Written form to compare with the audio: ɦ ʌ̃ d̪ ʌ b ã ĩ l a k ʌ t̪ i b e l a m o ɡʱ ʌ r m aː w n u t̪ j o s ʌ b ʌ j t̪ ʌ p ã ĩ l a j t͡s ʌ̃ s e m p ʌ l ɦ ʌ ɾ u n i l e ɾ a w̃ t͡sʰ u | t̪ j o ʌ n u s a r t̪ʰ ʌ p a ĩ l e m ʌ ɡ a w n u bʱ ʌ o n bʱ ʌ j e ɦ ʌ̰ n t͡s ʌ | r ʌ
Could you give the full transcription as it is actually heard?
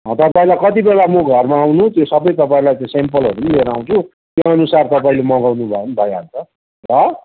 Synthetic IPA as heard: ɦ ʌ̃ t̪ ʌ p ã ĩ l a k ʌ t̪ i b e l a m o ɡʱ ʌ r m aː w n u t̪ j o s ʌ b ʌ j t̪ ʌ p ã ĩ l a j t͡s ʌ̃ s e m p ʌ l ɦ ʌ ɾ u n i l e ɾ a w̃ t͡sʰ u | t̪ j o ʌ n u s a r t̪ ʌ p a ĩ l e m ʌ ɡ a w n u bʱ ʌ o n bʱ ʌ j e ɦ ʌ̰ n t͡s ʌ | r ʌ